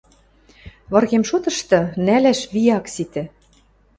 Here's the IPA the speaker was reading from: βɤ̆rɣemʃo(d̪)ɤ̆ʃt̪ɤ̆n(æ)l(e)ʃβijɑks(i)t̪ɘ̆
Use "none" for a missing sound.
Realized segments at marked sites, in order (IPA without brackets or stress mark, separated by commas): t̪, æ, æ, i